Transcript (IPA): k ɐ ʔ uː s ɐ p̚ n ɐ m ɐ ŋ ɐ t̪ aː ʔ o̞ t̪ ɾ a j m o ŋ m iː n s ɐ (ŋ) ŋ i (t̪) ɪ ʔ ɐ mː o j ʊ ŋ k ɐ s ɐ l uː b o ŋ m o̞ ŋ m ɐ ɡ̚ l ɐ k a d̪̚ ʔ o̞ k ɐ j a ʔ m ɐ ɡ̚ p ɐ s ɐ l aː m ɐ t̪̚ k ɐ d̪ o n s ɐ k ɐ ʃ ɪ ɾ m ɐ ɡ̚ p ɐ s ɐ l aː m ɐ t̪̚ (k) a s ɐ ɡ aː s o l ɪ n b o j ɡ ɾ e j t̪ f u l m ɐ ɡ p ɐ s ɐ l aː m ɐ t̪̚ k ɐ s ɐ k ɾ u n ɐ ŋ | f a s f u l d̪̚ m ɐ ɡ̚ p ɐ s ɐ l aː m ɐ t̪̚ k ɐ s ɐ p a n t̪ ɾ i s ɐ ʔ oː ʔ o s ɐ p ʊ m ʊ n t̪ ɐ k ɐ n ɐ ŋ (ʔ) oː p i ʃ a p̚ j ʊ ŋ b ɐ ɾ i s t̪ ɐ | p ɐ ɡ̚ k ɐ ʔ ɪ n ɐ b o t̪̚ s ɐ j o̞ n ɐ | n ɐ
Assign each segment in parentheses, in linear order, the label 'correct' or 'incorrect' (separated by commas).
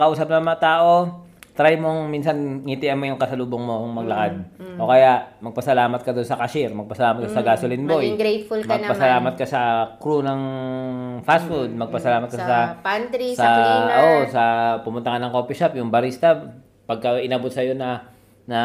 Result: incorrect, correct, correct, incorrect